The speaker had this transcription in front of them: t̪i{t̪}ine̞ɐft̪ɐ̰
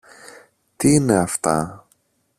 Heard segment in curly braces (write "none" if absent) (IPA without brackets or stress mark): none